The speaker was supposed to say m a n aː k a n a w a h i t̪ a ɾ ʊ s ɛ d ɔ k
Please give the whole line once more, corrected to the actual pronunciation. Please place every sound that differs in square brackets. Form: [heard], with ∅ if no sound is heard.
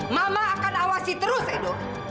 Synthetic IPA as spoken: m a [m] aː k a n a w a [s] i t̪ [ə] ɾ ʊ s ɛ d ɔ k